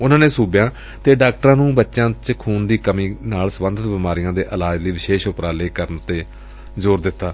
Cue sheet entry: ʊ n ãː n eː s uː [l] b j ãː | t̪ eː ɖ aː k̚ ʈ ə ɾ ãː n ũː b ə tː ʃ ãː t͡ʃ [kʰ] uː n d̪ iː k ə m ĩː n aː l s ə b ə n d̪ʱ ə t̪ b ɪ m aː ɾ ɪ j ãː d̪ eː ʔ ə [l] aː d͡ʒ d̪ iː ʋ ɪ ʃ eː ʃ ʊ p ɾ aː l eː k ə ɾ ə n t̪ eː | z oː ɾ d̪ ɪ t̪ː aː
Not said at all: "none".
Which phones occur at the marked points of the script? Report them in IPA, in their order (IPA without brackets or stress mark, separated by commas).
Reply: none, kʰ, l